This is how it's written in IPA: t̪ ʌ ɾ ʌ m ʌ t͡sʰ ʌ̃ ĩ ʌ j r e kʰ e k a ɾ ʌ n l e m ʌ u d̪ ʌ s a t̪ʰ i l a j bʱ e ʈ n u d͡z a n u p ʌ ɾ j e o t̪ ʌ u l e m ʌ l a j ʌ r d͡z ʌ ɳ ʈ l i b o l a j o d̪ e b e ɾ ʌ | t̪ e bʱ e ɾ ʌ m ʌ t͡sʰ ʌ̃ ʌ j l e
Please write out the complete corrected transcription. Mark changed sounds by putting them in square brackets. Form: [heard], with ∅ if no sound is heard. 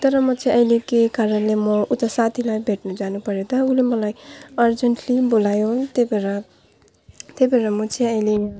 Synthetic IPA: t̪ ʌ ɾ ʌ m ʌ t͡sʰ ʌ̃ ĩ ʌ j [l] e [k] e k a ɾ ʌ n l e m ʌ u [t̪] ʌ s a t̪ʰ i l a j bʱ e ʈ n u d͡z a n u p ʌ ɾ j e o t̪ ʌ u l e m ʌ l a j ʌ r d͡z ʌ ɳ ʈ l i b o l a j o [t̪] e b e ɾ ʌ | t̪ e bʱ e ɾ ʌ m ʌ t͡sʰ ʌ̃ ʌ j l e